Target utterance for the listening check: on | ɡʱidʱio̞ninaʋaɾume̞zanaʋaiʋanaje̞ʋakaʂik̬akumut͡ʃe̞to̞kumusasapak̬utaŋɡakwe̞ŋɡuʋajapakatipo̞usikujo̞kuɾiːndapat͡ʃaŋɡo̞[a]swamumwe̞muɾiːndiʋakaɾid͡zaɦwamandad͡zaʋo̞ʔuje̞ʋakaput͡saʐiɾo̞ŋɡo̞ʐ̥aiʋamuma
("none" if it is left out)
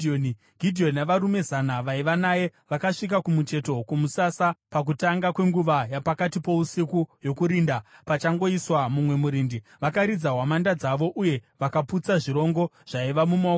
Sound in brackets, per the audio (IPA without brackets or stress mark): i